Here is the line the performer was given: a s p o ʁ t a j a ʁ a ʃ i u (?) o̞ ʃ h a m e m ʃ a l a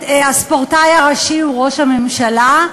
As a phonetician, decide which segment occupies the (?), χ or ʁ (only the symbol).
ʁ